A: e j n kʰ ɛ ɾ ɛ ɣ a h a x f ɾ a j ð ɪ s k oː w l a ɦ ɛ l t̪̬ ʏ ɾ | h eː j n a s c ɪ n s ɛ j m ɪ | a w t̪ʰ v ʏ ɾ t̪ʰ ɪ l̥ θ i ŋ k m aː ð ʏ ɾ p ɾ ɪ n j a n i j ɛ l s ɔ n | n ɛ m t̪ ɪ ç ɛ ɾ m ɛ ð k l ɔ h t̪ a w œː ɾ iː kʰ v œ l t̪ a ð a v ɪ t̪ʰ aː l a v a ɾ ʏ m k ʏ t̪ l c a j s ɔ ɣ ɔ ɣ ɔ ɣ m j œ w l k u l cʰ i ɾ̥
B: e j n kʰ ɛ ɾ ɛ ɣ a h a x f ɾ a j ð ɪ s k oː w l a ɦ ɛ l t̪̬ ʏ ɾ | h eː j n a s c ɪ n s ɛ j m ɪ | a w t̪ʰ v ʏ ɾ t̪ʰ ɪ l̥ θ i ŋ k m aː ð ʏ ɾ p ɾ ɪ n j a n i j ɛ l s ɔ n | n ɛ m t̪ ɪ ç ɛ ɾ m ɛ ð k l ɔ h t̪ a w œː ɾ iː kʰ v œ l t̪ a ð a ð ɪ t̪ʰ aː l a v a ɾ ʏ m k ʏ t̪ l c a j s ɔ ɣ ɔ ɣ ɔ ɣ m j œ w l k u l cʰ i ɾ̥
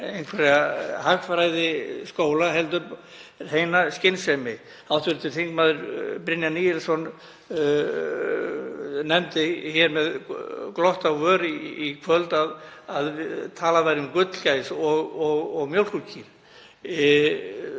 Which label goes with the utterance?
B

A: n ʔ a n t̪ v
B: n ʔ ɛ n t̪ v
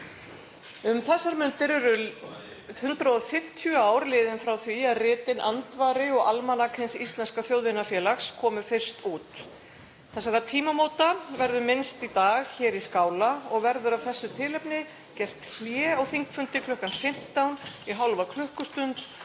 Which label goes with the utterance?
A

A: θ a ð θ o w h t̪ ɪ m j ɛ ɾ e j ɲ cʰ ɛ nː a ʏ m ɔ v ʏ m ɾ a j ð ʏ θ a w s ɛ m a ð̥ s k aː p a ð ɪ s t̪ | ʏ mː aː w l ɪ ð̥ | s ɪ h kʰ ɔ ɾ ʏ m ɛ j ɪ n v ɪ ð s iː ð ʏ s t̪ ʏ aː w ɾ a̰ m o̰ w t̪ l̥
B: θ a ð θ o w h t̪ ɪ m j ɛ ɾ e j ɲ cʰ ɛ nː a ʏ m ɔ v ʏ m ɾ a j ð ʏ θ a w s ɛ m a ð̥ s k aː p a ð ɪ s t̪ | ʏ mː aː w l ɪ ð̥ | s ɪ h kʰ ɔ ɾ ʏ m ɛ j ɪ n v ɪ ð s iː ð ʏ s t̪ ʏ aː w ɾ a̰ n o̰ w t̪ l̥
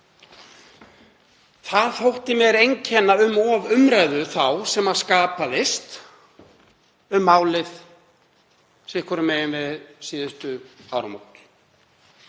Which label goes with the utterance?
A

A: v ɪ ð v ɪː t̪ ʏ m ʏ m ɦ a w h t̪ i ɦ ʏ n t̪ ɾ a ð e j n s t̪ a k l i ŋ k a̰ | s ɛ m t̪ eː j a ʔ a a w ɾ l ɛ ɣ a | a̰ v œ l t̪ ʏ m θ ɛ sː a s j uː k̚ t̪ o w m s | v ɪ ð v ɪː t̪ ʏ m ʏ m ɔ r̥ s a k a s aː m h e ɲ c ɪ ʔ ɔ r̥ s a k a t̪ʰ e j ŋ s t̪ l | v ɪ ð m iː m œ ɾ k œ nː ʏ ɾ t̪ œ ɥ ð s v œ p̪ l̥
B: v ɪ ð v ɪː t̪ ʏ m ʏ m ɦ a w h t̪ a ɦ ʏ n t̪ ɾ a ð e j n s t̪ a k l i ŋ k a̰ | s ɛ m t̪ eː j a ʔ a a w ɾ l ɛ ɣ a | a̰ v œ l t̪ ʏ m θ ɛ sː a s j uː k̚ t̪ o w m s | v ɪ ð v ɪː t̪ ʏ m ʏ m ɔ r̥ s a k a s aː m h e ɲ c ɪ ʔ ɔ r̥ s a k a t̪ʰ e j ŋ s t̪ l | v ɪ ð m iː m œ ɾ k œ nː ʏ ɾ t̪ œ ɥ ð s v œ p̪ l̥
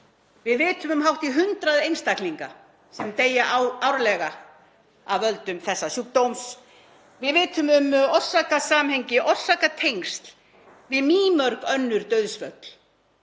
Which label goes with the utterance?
A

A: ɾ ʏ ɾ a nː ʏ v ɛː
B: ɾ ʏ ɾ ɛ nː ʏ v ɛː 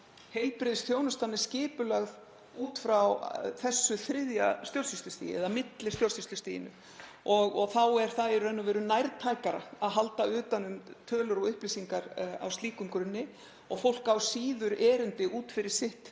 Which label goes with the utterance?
B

